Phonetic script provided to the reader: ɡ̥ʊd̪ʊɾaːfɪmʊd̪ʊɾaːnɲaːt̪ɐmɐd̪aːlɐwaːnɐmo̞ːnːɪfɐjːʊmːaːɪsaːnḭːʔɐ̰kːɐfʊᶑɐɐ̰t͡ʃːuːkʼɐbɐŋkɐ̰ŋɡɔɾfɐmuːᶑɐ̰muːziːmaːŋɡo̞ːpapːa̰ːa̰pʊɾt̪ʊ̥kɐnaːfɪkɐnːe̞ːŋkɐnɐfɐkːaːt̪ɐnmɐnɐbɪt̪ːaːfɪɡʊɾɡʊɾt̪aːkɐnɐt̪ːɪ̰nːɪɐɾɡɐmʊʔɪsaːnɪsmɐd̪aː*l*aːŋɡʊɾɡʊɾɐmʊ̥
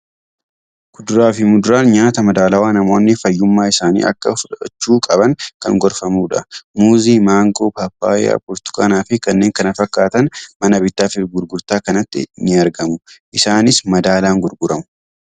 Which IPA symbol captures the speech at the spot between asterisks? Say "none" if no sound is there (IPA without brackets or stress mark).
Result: l